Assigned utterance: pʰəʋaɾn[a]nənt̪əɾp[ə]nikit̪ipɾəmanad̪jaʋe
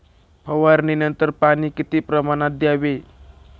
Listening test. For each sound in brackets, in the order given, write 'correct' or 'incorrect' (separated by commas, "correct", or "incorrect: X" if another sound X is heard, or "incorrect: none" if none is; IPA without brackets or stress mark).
incorrect: i, incorrect: a